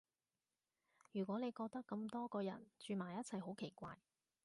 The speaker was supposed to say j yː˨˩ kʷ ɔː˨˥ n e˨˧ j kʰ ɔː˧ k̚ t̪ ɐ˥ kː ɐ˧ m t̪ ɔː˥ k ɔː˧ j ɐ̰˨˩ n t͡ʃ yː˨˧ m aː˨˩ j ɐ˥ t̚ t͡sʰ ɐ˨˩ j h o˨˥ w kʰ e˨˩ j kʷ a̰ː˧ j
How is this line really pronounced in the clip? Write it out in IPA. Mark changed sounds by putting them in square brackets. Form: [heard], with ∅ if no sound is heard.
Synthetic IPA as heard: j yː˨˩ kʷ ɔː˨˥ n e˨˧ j [k] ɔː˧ k̚ t̪ ɐ˥ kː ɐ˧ m t̪ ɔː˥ k ɔː˧ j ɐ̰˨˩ n t͡ʃ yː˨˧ m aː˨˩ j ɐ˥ t̚ t͡sʰ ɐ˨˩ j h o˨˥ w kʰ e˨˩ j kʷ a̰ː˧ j

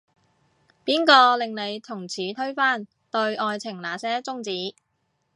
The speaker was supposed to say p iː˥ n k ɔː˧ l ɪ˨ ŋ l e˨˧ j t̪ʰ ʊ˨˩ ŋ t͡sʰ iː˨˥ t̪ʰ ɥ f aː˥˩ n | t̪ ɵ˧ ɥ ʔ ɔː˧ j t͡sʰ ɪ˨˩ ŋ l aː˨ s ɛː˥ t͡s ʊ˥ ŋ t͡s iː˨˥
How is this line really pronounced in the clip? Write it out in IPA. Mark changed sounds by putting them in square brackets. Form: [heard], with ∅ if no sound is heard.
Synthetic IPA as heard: p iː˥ n k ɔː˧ l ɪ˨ ŋ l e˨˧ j t̪ʰ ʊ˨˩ ŋ t͡sʰ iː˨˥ t̪ʰ ɥ f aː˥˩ n | t̪ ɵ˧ ɥ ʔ ɔː˧ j t͡sʰ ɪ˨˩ ŋ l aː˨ s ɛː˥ t͡s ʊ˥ ŋ t͡s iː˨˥

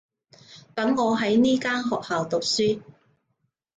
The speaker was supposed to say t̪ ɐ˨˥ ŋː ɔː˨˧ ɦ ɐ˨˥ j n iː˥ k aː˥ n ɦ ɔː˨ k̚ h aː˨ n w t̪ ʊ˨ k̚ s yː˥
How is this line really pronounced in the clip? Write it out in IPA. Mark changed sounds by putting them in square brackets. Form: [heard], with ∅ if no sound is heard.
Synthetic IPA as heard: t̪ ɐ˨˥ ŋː ɔː˨˧ ɦ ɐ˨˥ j n iː˥ k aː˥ n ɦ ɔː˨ k̚ h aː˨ [∅] w t̪ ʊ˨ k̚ s yː˥

